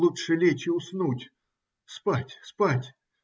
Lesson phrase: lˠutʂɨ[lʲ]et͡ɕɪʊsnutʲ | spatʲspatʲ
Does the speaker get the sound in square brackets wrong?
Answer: no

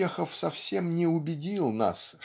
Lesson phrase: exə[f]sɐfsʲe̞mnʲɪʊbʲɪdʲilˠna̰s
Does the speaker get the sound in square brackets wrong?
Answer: no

